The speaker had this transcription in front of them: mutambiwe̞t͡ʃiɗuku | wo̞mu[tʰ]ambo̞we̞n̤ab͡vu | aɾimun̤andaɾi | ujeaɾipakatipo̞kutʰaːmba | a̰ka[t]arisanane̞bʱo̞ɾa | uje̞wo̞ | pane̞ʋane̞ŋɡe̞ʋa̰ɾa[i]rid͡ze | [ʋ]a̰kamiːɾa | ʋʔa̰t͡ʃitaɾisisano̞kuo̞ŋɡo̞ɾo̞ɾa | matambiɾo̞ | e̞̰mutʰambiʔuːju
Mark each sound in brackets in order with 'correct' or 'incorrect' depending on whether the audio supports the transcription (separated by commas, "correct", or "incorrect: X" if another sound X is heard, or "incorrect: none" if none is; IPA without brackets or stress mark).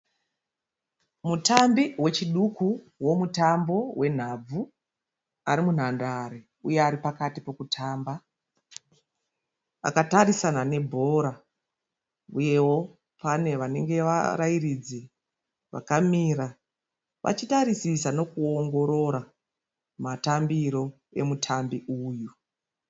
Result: incorrect: t, correct, correct, correct